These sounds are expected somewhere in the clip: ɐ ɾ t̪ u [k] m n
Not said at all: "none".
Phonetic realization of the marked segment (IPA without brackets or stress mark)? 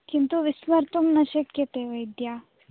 none